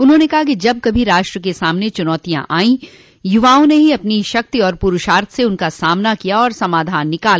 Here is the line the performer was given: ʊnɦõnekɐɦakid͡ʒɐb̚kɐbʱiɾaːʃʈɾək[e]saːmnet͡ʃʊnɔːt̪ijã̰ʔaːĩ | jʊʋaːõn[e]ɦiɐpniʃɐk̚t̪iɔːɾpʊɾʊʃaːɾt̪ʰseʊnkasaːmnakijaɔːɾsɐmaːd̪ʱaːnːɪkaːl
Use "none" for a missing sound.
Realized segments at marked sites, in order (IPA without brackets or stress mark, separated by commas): e, e